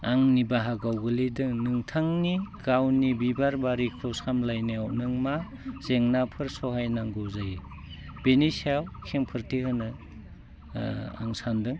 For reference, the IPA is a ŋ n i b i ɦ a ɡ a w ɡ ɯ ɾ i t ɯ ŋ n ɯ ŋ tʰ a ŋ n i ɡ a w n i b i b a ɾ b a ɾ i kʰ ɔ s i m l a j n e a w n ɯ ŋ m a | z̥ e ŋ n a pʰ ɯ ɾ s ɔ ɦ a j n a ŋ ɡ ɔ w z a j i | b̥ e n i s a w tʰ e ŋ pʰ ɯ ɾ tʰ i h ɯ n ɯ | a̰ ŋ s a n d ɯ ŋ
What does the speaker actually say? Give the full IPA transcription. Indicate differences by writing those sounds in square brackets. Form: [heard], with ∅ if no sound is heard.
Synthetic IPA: a ŋ n i b [a] ɦ a ɡ a w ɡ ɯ [l] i [d] ɯ ŋ n ɯ ŋ tʰ a ŋ n i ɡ a w n i b i b a ɾ b a ɾ i kʰ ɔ s [a] m l a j n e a w n ɯ ŋ m a | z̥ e ŋ n a pʰ ɯ ɾ s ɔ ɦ a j n a ŋ ɡ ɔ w z a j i | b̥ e n i s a w [kʰ] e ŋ pʰ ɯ ɾ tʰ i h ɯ n ɯ | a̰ ŋ s a n d ɯ ŋ